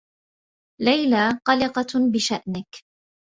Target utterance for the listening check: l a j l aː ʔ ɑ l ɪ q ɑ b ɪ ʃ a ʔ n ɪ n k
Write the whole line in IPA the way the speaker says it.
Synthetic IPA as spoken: l a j l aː q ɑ l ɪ q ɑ b ɪ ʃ a ʔ n ɪ k